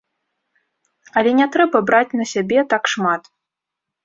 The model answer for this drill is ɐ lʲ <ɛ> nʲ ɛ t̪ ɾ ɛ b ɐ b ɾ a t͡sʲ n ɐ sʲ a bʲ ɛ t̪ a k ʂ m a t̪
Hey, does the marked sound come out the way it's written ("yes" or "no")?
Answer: yes